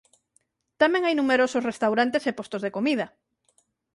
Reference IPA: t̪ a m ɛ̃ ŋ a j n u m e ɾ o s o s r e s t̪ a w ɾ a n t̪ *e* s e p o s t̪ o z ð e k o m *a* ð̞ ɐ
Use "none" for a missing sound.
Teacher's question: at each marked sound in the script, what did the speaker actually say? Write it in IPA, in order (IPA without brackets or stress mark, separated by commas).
e, i